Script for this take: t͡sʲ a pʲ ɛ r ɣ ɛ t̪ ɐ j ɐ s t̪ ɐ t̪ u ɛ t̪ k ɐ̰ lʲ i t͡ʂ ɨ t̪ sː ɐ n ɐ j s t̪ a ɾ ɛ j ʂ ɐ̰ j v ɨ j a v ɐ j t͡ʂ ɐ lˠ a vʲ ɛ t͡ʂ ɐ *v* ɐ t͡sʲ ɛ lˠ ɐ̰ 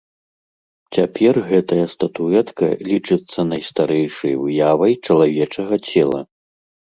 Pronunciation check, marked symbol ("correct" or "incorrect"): incorrect